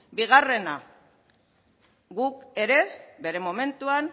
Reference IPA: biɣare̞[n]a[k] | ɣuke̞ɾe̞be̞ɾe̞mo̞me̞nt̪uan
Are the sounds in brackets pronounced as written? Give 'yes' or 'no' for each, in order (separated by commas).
yes, no